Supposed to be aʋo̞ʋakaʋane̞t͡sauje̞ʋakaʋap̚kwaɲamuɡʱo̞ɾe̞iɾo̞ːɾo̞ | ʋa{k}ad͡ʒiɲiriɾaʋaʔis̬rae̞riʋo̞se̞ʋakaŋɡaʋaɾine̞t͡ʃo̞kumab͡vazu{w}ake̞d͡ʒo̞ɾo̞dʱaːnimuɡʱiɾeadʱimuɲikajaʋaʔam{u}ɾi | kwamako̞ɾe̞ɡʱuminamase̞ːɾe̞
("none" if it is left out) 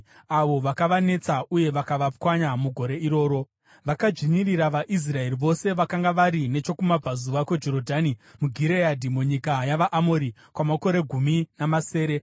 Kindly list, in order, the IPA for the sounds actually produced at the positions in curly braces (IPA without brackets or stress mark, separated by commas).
k, ʋ, o